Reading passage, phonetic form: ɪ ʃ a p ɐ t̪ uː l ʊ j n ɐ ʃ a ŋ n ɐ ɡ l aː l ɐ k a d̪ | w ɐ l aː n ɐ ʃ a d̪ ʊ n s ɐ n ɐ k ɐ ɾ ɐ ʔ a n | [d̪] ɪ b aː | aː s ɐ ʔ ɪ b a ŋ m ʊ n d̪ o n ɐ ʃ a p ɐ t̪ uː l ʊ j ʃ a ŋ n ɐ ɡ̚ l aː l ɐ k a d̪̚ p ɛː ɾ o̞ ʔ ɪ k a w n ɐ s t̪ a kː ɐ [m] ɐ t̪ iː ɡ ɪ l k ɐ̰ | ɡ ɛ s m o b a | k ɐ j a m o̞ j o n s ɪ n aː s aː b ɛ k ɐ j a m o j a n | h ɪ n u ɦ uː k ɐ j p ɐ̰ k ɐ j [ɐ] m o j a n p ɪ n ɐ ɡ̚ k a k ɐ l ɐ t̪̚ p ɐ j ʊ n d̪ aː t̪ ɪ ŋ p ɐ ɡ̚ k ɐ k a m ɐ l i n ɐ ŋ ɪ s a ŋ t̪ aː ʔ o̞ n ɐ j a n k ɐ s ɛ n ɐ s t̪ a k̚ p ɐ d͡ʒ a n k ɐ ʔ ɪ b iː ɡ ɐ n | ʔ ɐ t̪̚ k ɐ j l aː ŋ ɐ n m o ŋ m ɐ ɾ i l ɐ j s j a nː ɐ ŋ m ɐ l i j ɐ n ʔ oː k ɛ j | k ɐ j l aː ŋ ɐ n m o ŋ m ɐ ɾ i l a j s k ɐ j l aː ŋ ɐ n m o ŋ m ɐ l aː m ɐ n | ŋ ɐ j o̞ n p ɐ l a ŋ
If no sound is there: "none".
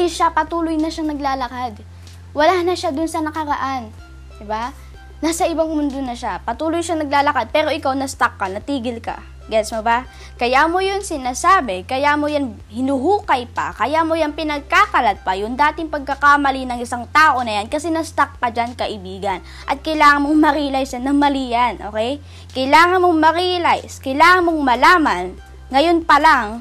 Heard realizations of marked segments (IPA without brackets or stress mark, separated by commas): d̪, n, a